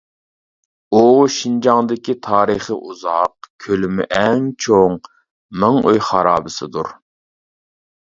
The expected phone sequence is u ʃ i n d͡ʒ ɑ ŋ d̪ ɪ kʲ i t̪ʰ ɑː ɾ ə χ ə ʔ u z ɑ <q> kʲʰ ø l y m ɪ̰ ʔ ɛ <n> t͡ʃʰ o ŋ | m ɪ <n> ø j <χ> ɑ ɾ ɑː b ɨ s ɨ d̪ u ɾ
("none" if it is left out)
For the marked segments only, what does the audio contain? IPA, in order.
q, ŋ, ŋ, χ

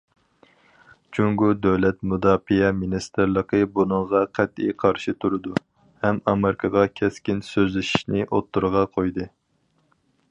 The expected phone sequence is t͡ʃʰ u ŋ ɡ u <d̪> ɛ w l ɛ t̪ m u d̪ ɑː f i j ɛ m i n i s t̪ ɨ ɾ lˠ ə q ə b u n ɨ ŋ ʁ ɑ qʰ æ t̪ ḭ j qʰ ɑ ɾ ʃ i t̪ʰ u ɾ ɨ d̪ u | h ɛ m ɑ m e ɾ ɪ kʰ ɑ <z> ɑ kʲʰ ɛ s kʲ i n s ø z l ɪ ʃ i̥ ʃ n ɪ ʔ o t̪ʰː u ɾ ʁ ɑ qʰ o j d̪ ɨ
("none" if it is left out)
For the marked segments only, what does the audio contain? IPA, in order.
d̪, ʁ

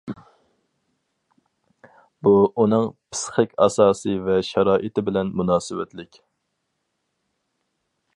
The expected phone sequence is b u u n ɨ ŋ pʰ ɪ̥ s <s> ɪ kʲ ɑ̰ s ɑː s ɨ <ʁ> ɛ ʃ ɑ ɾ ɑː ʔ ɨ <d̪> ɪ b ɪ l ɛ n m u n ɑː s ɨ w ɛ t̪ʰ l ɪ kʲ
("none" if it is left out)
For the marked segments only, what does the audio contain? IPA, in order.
χ, v, t̪

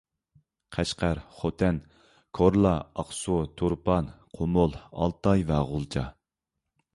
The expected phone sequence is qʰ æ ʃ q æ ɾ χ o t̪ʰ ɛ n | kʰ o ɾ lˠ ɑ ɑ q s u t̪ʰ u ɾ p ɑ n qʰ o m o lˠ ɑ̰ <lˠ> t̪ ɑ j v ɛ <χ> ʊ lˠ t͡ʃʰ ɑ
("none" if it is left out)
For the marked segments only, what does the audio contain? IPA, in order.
lˠ, ʁ

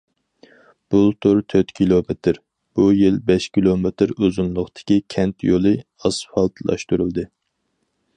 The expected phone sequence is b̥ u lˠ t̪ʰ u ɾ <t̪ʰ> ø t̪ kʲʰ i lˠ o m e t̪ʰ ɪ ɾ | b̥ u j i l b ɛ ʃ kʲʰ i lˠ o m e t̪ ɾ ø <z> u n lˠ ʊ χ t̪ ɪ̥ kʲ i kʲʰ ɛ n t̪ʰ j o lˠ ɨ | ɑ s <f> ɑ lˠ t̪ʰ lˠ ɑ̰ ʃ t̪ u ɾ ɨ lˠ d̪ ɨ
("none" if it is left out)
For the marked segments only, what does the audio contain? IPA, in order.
t̪ʰ, z, f

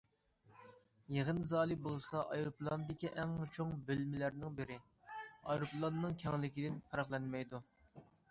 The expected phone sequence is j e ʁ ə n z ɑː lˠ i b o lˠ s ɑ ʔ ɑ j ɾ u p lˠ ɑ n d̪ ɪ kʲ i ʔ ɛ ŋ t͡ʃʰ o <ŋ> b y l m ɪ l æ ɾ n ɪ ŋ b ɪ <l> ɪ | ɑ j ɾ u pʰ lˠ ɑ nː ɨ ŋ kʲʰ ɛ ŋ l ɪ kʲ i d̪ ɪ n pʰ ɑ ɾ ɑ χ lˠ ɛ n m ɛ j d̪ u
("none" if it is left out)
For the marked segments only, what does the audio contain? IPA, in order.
ŋ, ɾ

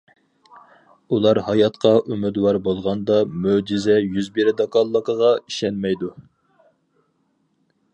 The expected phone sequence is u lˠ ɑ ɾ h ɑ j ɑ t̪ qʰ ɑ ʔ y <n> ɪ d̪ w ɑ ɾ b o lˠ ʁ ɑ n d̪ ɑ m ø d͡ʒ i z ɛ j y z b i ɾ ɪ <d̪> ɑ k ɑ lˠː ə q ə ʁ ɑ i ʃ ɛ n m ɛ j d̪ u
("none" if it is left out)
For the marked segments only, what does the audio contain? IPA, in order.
m, d̪

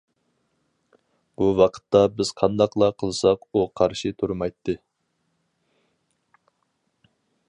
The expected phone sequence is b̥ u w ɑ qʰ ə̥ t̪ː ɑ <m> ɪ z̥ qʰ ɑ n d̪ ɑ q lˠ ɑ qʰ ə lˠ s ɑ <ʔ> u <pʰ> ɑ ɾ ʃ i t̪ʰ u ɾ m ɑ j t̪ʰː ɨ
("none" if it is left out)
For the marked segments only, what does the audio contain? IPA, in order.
b, q, qʰ

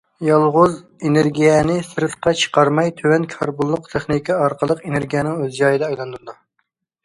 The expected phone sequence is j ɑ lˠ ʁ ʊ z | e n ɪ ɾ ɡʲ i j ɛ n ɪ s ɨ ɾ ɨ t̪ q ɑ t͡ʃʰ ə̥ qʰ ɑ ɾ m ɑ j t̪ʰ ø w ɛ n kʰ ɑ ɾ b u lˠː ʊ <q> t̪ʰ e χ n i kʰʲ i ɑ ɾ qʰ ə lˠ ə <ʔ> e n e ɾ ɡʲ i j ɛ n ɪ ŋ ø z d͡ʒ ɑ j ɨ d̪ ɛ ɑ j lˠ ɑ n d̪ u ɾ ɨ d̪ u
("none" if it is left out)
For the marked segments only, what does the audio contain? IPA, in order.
q, q

